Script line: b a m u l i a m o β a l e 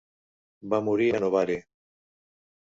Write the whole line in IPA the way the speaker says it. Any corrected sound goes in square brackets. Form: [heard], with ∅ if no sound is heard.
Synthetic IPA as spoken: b a m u [ɾ] i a [n] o β a [ɾ] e